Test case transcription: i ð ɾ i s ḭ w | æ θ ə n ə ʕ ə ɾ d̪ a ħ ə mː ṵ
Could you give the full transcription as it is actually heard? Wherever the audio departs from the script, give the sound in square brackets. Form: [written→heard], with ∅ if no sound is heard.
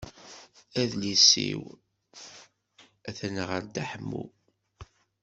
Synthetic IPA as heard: [i→æ] ð [ɾ→l] i s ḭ w | æ θ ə n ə [ʕ→ʁ] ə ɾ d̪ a ħ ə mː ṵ